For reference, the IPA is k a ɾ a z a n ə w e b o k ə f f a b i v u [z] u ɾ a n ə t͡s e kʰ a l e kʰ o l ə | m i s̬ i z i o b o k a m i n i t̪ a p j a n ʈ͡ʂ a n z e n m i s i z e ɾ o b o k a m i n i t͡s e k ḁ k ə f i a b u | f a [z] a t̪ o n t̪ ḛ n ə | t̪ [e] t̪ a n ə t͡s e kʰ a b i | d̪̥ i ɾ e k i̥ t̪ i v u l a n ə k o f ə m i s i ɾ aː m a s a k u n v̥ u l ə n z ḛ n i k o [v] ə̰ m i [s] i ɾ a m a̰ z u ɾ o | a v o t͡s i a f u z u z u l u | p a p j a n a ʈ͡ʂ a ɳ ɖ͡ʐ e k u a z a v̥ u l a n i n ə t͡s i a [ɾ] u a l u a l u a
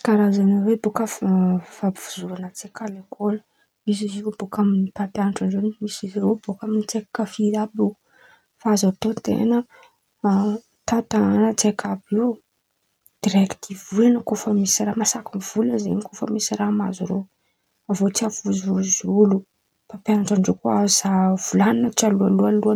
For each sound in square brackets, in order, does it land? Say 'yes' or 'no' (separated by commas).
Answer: yes, yes, no, no, yes, no